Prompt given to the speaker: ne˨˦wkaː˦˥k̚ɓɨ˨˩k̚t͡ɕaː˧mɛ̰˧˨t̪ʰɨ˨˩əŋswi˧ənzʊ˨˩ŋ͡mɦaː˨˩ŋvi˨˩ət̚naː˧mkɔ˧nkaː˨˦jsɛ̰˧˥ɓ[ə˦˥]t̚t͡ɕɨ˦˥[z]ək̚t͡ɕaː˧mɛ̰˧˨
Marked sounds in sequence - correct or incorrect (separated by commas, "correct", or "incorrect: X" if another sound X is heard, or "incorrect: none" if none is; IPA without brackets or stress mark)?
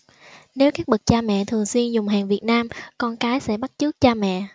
incorrect: a˦˥, incorrect: none